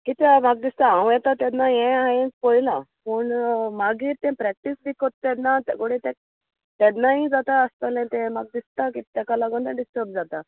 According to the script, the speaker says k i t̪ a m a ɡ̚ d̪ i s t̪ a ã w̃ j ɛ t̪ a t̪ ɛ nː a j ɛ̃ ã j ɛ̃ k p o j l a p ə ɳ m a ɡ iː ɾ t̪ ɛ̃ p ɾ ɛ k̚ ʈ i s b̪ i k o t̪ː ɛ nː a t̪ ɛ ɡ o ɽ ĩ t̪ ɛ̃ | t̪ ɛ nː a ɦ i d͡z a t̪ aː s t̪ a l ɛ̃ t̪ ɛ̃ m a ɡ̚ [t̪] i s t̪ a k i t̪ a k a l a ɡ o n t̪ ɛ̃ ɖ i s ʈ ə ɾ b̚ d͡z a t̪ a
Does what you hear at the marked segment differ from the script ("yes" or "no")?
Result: yes